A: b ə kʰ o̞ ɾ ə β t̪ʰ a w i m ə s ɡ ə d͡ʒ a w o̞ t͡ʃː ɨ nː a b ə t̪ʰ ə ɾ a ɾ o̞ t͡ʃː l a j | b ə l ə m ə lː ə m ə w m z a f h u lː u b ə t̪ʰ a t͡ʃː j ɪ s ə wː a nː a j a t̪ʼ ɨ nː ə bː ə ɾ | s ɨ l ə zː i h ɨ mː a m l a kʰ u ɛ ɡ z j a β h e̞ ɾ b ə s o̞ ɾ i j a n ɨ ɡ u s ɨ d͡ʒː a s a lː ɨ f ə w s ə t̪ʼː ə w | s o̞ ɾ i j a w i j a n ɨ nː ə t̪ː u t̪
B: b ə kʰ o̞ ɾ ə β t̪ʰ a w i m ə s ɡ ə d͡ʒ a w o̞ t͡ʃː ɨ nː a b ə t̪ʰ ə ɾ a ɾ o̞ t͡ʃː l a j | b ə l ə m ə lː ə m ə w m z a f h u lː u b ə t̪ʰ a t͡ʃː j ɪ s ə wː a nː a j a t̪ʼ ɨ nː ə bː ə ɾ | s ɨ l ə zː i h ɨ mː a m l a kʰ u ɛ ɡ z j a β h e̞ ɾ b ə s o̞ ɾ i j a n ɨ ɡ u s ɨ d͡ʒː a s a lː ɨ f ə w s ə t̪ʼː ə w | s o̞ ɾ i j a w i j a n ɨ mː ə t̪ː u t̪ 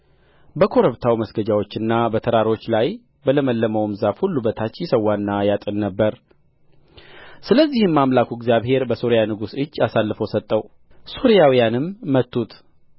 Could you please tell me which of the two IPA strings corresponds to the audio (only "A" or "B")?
B